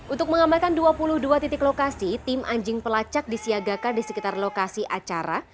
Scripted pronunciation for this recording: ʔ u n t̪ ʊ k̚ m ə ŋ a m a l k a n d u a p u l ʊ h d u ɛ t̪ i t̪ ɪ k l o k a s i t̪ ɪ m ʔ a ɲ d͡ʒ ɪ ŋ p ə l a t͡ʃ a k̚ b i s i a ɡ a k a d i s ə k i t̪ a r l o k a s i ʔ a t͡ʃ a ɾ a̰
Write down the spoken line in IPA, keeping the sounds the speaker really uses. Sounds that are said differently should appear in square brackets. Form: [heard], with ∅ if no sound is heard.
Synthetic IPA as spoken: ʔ u n t̪ ʊ k̚ m ə ŋ a m a l k a n d u a p u l ʊ h d u [a] t̪ i t̪ ɪ k l o k a s i t̪ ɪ m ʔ a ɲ d͡ʒ ɪ ŋ p ə l a t͡ʃ a k̚ [d] i s i a ɡ a k a d i s ə k i t̪ a r l o k a s i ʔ a t͡ʃ a ɾ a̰